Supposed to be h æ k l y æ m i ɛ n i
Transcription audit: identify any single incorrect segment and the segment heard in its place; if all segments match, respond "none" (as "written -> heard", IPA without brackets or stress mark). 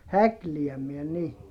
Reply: y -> i